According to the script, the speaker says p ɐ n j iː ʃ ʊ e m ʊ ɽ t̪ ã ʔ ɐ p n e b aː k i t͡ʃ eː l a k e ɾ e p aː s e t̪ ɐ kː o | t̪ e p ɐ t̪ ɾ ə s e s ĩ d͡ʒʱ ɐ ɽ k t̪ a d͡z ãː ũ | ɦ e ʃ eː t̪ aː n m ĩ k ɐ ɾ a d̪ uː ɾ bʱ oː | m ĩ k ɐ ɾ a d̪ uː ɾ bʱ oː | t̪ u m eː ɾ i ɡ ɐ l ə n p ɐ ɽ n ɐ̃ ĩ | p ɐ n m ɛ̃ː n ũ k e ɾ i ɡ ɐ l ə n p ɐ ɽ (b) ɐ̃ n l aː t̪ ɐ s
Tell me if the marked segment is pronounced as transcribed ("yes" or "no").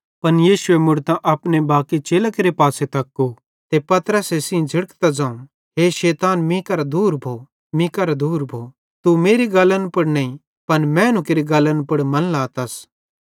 no